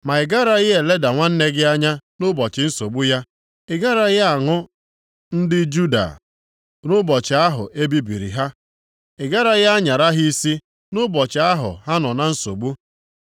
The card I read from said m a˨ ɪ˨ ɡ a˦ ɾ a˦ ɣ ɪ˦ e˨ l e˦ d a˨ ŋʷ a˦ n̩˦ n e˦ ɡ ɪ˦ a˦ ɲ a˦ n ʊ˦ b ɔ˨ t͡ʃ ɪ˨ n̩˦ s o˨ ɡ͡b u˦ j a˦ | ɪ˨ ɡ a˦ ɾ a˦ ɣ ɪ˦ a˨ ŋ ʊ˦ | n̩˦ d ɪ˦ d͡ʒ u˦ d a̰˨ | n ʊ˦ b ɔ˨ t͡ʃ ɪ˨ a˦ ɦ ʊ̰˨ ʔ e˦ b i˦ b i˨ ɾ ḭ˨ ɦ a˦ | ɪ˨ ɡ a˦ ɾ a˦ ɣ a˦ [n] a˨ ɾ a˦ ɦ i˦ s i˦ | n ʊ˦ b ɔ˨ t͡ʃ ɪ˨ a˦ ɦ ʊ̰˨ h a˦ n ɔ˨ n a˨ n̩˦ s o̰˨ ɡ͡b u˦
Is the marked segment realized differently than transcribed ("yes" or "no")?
yes